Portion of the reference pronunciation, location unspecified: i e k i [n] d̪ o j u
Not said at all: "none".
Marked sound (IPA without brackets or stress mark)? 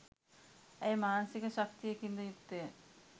n